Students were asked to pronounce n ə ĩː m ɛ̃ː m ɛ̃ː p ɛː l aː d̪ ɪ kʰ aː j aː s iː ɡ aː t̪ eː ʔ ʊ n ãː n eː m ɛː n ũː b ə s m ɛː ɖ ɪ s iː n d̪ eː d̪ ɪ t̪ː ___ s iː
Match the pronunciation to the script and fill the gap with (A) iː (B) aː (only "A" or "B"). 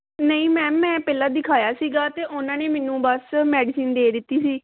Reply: A